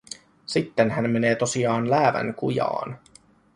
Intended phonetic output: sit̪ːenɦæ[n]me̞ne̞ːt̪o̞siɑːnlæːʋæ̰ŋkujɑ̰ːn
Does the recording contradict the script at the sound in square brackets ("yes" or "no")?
no